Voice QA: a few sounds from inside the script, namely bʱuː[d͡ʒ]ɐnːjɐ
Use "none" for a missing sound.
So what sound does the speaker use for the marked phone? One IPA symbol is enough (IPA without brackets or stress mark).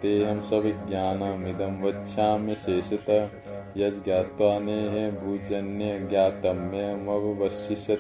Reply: d͡ʒ